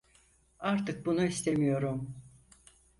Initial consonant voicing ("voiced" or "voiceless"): voiced